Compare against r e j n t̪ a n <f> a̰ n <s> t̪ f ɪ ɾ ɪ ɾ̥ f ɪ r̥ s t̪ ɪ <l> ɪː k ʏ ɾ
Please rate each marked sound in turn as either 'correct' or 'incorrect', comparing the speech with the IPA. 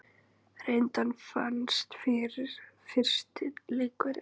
correct, correct, correct

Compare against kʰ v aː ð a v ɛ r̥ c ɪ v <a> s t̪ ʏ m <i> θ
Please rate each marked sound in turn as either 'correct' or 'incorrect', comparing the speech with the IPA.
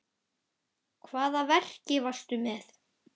correct, incorrect: ɛ

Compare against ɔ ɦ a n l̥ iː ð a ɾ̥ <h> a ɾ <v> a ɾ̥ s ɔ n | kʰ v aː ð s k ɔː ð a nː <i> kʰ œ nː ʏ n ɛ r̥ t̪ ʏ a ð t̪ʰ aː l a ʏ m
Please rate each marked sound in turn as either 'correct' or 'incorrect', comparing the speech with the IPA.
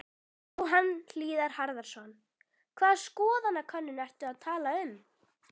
correct, incorrect: ð, incorrect: a

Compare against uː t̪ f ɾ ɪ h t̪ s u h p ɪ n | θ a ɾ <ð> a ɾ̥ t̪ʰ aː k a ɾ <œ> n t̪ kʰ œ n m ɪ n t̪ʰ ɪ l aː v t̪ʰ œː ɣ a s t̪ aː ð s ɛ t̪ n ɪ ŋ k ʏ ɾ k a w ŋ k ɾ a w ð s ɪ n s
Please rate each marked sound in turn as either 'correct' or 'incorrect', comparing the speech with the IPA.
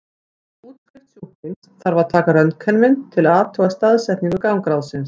incorrect: v, correct

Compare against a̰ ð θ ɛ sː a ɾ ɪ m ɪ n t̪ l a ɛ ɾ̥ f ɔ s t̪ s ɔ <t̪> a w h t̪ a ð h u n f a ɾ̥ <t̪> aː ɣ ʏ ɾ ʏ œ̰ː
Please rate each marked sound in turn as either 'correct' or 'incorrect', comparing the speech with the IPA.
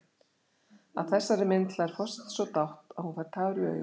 correct, incorrect: t̪ʰ

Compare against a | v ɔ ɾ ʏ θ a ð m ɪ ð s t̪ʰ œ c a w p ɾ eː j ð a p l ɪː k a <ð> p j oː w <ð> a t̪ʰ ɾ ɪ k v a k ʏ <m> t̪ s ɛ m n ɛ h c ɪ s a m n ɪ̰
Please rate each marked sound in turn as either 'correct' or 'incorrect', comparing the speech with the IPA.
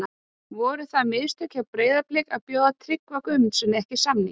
correct, correct, correct

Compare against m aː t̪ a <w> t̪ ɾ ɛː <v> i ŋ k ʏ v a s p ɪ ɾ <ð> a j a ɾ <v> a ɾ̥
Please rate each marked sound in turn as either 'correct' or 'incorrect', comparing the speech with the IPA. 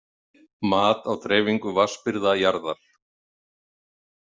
correct, correct, correct, incorrect: ð

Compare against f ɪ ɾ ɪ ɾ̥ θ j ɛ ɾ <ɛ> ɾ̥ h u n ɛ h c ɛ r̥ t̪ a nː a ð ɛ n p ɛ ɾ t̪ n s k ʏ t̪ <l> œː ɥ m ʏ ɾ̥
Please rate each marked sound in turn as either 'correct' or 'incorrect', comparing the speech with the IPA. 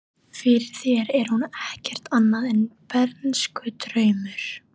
correct, incorrect: ɾ

